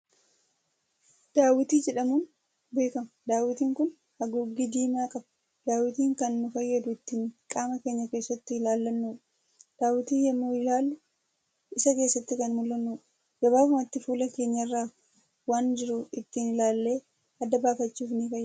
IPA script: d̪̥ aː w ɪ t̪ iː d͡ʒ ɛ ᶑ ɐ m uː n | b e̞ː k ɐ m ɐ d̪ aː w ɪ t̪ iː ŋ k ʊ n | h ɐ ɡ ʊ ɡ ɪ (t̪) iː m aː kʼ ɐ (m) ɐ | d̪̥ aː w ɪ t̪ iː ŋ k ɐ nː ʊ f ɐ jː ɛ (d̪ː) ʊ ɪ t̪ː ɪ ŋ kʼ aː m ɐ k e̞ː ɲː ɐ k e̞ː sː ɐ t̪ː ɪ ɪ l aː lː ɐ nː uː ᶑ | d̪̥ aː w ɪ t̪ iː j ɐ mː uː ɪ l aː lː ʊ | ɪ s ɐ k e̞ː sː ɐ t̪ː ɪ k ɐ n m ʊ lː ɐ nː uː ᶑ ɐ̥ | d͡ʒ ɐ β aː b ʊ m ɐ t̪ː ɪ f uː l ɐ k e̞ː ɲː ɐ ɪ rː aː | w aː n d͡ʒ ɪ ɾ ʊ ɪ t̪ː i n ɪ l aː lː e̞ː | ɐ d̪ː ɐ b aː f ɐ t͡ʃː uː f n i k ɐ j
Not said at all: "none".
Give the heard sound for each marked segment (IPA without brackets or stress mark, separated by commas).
d̪, b, d̪